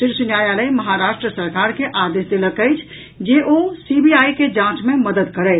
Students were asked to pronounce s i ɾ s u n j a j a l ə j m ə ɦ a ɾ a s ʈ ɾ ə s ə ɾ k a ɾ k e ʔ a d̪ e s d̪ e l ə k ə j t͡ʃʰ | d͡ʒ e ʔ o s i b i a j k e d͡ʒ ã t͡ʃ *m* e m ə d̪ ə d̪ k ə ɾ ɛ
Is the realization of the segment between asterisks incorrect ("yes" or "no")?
no